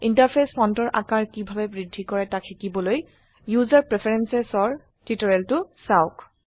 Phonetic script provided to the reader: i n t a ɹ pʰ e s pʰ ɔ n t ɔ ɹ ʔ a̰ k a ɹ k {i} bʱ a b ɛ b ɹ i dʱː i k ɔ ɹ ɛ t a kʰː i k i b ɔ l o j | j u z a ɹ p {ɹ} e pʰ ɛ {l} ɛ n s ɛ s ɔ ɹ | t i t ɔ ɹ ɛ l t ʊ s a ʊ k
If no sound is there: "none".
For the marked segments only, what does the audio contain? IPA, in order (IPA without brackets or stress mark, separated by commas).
i, ɹ, ɹ